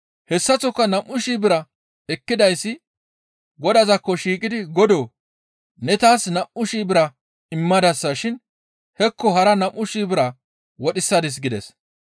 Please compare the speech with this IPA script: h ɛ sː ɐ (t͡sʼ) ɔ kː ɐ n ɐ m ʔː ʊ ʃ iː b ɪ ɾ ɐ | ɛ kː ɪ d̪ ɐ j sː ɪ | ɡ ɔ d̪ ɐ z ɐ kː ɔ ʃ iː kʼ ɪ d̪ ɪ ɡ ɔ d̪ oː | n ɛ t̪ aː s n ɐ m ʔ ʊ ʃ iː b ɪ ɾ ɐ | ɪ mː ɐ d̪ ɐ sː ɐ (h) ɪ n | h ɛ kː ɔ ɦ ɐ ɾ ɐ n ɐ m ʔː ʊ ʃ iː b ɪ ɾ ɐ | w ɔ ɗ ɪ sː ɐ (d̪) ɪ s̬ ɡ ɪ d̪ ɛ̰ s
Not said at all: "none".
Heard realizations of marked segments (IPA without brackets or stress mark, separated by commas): t͡s, ʃ, d̪